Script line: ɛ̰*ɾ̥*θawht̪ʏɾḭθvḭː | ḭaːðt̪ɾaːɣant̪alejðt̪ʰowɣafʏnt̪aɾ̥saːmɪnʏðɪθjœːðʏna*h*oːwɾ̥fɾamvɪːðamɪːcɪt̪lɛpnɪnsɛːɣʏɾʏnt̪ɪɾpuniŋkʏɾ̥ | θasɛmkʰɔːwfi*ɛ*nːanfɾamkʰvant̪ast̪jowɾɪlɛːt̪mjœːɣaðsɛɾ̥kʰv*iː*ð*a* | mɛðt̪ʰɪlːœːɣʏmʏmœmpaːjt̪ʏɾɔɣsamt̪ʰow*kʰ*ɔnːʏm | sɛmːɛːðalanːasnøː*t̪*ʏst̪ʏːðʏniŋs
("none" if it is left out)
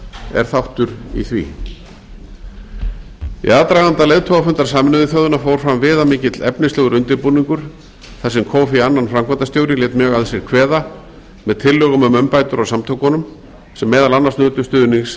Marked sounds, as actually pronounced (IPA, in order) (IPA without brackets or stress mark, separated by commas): ɾ̥, f, a, ɛː, a, k, t̪